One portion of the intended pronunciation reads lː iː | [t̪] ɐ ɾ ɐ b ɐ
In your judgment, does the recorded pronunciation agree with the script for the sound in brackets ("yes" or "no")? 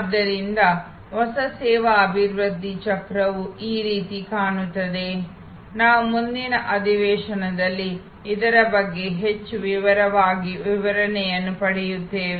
no